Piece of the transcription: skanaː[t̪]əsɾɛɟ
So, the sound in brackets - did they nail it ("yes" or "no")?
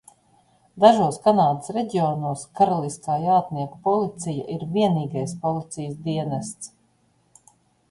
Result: no